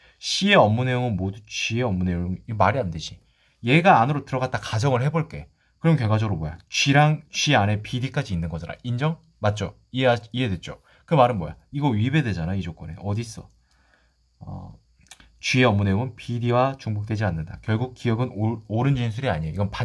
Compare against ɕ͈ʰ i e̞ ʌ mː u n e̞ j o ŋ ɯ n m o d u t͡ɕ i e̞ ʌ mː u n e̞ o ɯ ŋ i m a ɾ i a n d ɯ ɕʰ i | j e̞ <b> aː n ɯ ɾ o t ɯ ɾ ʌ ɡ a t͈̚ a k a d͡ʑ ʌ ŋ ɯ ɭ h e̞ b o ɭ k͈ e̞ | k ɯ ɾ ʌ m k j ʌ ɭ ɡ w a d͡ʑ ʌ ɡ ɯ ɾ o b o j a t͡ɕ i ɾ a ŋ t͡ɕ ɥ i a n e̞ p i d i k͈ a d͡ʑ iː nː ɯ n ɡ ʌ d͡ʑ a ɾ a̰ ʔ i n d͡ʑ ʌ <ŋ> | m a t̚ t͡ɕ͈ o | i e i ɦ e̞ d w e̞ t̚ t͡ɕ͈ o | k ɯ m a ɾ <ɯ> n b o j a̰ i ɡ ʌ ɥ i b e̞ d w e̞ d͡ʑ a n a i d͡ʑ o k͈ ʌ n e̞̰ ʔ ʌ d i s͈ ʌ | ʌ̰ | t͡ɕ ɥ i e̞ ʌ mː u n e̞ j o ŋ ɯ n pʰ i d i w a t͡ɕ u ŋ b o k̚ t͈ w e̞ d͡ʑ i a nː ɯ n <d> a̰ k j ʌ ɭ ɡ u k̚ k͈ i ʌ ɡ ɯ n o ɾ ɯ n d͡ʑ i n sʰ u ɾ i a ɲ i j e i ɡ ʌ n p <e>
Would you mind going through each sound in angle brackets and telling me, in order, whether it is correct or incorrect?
incorrect: ɡ, correct, correct, correct, incorrect: a

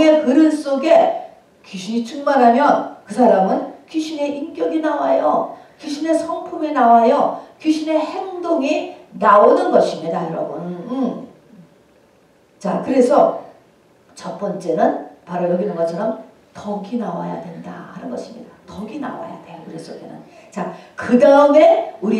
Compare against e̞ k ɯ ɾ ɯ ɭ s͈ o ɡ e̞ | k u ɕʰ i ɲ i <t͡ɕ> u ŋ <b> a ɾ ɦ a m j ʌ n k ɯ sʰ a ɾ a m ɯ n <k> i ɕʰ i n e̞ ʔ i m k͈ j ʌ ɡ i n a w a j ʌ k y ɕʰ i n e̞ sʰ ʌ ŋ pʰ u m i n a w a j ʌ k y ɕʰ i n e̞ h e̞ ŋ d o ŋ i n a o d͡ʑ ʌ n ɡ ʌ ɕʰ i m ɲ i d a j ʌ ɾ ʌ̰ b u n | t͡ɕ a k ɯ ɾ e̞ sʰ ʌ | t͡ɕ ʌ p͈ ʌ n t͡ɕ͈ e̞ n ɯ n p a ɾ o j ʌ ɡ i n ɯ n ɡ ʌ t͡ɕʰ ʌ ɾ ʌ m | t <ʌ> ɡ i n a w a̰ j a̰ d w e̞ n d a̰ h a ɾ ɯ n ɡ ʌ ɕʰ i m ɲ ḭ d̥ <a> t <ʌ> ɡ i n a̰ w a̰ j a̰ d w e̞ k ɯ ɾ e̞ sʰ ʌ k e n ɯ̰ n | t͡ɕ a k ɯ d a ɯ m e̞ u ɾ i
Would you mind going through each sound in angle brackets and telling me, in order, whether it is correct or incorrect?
incorrect: t͡ɕʰ, incorrect: m, correct, correct, correct, correct

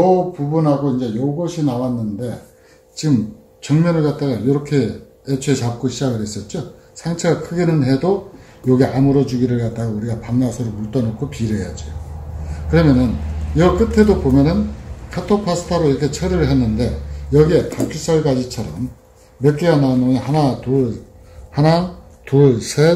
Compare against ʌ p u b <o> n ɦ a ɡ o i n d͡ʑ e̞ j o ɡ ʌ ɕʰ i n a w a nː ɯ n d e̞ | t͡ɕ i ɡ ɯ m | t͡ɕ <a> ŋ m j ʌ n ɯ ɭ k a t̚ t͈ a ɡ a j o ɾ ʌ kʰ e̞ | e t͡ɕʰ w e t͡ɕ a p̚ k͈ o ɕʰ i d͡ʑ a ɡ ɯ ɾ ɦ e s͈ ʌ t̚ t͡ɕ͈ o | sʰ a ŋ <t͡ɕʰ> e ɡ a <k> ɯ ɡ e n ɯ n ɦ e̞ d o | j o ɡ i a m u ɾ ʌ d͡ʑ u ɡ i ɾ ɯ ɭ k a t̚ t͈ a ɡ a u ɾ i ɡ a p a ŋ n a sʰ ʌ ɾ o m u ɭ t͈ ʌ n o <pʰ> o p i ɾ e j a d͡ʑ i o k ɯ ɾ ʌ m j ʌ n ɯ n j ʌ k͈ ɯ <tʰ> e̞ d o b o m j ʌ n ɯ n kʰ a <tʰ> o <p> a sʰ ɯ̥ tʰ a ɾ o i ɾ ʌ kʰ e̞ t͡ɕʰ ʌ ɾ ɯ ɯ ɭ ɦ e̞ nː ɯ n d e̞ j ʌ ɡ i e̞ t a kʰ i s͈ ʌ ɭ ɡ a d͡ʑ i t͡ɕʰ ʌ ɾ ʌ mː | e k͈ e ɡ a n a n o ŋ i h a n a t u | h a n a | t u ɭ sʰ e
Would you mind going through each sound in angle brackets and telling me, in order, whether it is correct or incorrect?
incorrect: u, incorrect: ʌ, correct, incorrect: kʰ, incorrect: kʰ, correct, correct, incorrect: pʰ

